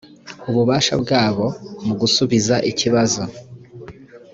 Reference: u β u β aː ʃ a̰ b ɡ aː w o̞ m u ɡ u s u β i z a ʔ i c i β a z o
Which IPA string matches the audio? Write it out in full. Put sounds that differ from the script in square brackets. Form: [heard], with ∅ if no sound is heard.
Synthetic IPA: u β u β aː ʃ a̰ b ɡ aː [β] o̞ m u ɡ u s u β i z a ʔ i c i β a z o